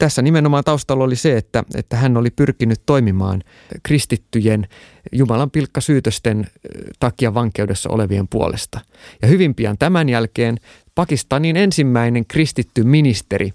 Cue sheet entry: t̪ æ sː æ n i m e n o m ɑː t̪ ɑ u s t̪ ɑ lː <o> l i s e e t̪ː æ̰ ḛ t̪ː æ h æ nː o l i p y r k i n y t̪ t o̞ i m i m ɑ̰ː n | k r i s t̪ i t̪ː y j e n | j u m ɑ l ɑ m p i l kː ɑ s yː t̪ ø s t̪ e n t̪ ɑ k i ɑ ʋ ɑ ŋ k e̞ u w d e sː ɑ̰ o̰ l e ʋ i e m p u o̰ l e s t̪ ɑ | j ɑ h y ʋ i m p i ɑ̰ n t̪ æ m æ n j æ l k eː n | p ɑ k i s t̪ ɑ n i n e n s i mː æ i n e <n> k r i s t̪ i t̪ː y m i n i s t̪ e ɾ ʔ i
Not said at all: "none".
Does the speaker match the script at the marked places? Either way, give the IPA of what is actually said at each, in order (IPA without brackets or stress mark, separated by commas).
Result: o, ŋ